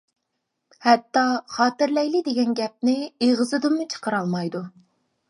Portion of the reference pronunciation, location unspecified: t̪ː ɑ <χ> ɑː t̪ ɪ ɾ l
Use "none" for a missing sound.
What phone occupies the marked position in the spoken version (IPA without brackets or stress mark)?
χ